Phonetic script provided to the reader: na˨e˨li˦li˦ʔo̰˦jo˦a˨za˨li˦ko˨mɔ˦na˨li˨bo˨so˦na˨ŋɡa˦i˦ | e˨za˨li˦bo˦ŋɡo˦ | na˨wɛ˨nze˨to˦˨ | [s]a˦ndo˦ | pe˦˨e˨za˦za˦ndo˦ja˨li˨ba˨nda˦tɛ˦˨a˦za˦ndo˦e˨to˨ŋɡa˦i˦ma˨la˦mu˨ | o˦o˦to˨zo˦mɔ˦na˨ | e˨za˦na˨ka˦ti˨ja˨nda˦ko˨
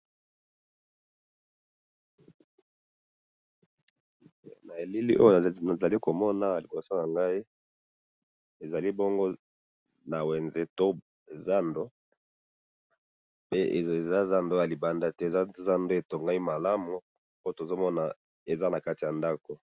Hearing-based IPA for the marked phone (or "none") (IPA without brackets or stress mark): z